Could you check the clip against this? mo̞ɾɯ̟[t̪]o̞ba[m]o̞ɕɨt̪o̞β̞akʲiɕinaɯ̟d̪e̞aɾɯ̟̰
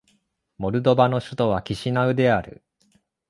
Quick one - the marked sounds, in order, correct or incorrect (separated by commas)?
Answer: incorrect, incorrect